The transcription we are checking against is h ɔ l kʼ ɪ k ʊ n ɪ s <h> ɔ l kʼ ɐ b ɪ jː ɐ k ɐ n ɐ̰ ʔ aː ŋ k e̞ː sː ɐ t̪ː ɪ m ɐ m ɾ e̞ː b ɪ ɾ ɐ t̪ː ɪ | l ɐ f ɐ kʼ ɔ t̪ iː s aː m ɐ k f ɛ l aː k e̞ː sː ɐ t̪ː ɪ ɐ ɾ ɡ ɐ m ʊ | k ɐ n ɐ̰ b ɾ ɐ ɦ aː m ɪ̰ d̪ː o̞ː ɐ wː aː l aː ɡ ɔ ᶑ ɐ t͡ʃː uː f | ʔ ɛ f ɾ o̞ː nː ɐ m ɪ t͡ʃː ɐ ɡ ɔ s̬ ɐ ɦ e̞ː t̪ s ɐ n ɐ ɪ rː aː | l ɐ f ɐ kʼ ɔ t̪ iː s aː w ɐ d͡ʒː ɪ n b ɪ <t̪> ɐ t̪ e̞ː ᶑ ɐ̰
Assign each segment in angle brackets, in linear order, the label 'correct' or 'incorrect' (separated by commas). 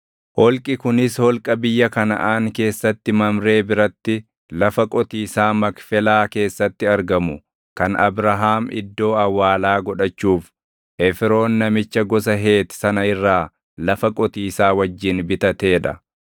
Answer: correct, correct